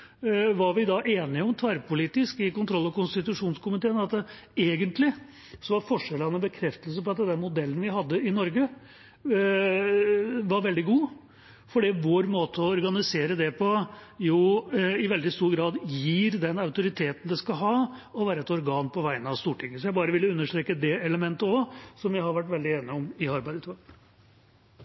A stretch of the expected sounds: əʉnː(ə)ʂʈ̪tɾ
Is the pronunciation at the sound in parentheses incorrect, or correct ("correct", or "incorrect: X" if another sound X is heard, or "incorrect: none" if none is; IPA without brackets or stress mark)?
correct